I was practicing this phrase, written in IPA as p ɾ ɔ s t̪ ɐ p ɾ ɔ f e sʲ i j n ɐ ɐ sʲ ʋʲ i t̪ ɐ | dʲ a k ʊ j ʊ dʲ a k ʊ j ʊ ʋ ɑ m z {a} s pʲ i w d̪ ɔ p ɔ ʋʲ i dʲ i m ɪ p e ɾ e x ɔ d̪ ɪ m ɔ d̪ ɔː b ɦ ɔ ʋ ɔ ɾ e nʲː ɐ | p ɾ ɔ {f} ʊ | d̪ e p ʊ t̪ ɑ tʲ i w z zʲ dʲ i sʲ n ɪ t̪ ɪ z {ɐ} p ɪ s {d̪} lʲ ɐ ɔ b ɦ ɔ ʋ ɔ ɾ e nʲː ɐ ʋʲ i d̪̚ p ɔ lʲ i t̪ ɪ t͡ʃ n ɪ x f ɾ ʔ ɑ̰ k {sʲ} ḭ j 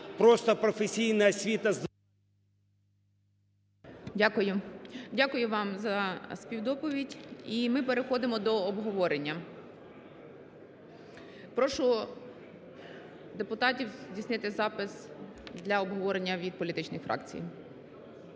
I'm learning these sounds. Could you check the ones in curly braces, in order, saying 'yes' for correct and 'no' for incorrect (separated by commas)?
no, no, no, yes, no